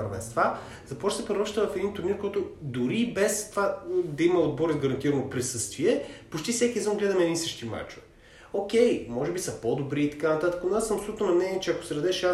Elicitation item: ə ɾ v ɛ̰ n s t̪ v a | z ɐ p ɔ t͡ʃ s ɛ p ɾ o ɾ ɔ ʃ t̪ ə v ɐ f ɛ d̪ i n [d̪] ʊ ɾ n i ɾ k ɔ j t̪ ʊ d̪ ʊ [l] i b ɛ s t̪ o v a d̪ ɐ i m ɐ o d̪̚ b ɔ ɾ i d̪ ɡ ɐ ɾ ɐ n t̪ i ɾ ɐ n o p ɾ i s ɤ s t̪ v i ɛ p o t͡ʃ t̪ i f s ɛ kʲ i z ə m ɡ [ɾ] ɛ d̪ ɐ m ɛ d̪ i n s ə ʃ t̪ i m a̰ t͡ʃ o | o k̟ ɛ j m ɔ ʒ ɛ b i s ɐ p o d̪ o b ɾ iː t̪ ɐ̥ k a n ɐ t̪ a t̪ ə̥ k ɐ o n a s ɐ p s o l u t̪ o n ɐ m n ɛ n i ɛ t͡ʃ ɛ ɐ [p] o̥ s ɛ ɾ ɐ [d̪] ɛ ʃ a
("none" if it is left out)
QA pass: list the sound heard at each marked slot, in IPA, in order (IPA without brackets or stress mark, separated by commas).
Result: t̪, ɾ, l, k, d̪